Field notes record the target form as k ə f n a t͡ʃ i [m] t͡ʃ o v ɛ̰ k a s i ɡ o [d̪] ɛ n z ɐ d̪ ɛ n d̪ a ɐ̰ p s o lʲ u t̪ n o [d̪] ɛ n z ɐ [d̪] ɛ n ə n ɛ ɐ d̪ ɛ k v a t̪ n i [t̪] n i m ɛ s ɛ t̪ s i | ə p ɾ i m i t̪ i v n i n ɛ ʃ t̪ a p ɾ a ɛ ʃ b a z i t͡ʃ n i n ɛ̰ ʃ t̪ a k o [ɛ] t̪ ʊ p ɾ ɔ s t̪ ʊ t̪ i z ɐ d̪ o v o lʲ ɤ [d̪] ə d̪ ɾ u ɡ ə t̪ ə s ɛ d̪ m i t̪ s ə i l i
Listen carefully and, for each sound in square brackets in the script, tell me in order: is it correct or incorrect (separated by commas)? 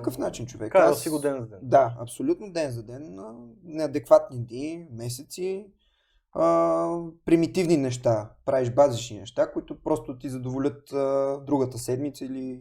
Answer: incorrect, correct, correct, correct, incorrect, incorrect, incorrect